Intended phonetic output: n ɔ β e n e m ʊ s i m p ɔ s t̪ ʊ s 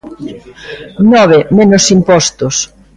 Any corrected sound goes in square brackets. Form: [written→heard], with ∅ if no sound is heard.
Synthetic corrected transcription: n ɔ β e [n→m] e [m→n] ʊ s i m p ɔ s t̪ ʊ s